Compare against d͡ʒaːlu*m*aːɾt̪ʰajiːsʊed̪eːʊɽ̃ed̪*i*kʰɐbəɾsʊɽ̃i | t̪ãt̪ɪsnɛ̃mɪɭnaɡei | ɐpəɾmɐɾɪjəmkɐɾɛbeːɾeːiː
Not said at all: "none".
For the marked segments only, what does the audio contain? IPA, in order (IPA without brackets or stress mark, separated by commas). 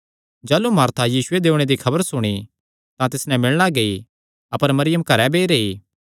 m, i